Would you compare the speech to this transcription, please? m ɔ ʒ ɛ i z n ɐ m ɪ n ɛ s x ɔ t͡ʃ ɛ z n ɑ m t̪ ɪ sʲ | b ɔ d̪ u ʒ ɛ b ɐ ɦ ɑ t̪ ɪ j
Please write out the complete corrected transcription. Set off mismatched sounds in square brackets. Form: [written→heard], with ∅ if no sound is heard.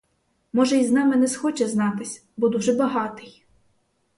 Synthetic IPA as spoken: m ɔ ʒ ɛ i z n [ɐ→ɑ] m ɪ n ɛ s x ɔ t͡ʃ ɛ z n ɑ [m→∅] t̪ ɪ sʲ | b ɔ d̪ u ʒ ɛ b ɐ ɦ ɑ t̪ ɪ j